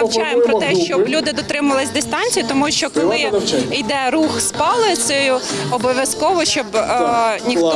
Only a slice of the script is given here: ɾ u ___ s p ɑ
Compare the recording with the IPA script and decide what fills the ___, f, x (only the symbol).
x